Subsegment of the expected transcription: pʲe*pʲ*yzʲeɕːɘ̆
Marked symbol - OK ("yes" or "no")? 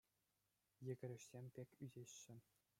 no